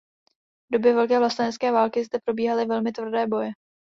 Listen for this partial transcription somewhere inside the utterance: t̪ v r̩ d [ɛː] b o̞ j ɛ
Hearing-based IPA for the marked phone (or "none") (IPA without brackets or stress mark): ɛː